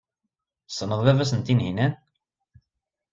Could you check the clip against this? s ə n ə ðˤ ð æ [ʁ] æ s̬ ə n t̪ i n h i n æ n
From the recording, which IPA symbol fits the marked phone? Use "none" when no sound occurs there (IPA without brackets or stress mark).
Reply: v